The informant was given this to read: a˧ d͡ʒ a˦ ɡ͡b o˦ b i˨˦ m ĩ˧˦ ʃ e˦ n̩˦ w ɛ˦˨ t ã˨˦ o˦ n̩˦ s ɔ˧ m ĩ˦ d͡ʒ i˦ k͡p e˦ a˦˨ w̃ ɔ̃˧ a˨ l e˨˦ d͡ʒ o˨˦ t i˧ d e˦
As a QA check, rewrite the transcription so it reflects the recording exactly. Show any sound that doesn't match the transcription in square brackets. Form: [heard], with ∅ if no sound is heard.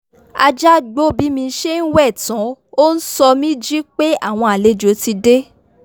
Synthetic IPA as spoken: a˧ d͡ʒ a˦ ɡ͡b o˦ b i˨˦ m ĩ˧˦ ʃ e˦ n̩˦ w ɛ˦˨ t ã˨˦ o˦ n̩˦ s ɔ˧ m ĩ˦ d͡ʒ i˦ k͡p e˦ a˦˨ w̃ ɔ̃˧ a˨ l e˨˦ d͡ʒ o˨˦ t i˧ d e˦